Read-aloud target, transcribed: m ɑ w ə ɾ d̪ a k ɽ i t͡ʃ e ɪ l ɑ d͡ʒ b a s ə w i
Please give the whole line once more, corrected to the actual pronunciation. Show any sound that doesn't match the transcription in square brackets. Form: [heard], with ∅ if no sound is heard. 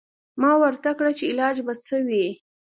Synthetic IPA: m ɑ w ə ɾ [t̪] a k ɽ [a] t͡ʃ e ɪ l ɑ d͡ʒ b a [t͡s] ə w i